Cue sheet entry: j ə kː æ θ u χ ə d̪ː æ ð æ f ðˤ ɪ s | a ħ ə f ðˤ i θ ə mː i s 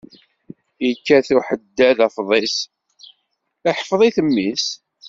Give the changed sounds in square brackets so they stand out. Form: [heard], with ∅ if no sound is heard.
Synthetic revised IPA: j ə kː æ θ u [ħ] ə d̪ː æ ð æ f ðˤ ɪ s | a ħ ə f ðˤ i θ ə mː i s